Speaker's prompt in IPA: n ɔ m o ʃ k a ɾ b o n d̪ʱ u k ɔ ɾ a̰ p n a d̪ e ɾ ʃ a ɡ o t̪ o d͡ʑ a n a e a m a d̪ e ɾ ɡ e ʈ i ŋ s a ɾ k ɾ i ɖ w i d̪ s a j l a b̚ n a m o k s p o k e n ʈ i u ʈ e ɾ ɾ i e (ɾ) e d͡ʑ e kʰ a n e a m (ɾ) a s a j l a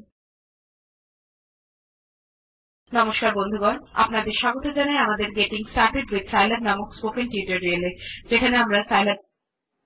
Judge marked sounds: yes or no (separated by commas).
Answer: no, yes